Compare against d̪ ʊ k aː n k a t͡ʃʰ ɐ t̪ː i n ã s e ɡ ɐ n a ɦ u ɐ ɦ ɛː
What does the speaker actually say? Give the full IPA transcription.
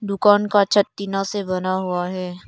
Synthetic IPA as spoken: d̪ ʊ k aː n k a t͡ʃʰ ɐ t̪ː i n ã s e b ɐ n a ɦ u a ɦ ɛː